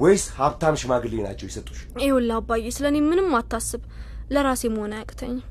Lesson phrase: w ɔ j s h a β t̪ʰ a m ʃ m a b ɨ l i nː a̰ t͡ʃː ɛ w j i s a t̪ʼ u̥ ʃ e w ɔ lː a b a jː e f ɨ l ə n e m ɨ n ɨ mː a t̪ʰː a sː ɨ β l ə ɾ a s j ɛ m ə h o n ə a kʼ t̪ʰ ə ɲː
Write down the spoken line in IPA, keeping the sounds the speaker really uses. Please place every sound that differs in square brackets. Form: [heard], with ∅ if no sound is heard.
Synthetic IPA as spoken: w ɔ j s h a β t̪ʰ a m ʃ m a [ɡ] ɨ l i [n] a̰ t͡ʃː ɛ w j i s [ə] t̪ʼ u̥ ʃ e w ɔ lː a b a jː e [s] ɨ l ə n e m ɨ n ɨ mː a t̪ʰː a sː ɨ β l ə ɾ a s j ɛ m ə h o n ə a kʼ t̪ʰ ə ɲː